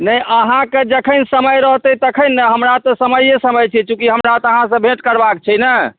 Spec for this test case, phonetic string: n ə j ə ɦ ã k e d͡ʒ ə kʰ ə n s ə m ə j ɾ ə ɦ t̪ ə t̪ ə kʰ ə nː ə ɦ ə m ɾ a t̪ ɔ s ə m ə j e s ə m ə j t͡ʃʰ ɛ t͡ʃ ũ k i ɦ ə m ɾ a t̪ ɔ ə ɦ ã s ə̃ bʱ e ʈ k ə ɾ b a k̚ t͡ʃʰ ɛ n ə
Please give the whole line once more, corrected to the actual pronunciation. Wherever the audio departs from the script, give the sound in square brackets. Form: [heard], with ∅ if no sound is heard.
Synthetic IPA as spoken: n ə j ə ɦ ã k e d͡ʒ ə kʰ ə n s ə m ə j ɾ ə ɦ t̪ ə t̪ ə kʰ ə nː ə ɦ ə m ɾ a t̪ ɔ s ə m ə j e s ə m ə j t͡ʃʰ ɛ t͡ʃ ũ k i ɦ ə m ɾ a t̪ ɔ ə ɦ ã s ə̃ bʱ e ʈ k ə ɾ b a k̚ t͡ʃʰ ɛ n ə